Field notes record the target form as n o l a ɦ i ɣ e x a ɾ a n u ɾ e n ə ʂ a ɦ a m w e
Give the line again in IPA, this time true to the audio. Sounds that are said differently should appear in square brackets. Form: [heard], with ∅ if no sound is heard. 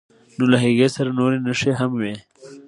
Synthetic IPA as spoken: n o l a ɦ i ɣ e [s] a ɾ a n [o] ɾ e n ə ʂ [e] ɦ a m w e